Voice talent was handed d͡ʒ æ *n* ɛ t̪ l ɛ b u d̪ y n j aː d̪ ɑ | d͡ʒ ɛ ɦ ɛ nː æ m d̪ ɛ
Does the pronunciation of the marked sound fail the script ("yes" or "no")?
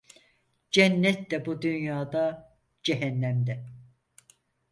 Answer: yes